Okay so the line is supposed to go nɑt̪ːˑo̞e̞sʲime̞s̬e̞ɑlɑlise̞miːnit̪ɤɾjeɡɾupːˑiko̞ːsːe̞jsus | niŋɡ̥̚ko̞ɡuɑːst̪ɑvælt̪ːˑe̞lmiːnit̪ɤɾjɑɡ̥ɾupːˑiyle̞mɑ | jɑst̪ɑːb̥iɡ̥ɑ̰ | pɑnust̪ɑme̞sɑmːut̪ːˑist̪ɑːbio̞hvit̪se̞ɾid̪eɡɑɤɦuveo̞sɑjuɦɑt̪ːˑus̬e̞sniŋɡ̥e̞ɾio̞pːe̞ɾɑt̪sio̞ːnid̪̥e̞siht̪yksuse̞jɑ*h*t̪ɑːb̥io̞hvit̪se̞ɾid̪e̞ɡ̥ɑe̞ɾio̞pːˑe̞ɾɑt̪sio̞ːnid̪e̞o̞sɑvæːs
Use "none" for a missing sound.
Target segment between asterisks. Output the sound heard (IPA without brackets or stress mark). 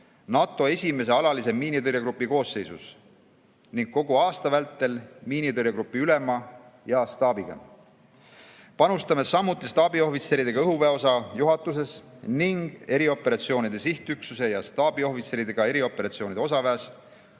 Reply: s